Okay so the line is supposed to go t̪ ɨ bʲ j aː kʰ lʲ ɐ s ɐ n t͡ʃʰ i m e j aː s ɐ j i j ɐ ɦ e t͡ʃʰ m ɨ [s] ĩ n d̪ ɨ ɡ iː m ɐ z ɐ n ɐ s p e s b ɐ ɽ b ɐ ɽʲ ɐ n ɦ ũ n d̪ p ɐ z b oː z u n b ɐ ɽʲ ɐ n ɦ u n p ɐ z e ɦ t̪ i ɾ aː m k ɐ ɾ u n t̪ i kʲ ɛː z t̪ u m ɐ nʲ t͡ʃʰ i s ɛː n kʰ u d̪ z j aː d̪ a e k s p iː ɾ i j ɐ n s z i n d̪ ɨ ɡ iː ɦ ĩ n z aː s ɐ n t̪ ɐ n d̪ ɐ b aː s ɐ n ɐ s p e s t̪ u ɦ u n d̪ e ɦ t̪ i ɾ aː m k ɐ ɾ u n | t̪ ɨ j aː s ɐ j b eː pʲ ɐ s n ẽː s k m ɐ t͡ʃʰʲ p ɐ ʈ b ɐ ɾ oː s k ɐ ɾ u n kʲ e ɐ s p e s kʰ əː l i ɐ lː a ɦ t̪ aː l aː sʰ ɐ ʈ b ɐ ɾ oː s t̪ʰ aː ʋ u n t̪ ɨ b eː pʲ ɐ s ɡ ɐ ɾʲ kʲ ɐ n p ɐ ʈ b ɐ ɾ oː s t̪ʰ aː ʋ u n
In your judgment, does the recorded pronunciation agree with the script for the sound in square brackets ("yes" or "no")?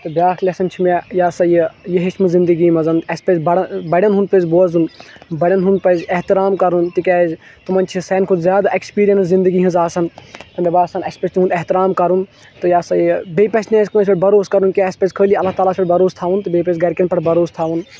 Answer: no